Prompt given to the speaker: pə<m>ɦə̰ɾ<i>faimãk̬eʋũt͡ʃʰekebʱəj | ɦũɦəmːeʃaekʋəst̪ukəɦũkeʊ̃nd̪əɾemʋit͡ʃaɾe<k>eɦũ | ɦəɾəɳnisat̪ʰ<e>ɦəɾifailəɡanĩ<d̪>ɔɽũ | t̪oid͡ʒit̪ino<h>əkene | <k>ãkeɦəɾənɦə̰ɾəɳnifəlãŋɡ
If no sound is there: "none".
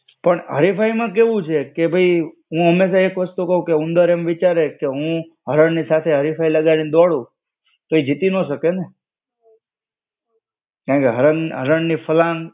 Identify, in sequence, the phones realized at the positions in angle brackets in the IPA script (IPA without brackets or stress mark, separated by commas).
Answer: ɳ, i, k, e, d̪, ʃ, k